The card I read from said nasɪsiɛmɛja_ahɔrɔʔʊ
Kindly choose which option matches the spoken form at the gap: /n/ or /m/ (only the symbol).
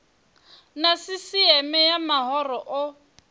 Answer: m